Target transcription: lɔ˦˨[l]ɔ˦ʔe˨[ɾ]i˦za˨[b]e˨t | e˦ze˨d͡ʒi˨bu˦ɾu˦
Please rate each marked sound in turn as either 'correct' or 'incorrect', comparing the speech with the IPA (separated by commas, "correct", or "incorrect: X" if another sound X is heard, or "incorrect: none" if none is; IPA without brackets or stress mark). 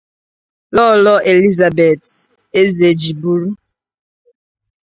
correct, incorrect: l, correct